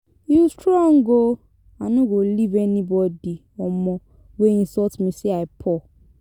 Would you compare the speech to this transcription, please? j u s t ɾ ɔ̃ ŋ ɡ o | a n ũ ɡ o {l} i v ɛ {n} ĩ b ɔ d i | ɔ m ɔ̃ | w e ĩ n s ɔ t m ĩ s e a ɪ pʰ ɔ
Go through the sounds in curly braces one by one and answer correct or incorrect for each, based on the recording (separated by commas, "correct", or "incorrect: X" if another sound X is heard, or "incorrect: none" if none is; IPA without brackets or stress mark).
correct, correct